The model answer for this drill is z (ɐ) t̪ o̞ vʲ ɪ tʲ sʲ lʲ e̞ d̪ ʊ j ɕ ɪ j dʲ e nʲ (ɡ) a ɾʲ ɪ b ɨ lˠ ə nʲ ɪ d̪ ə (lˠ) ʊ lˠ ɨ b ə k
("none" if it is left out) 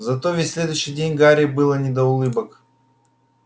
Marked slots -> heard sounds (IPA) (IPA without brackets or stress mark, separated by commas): ɐ, ɡ, none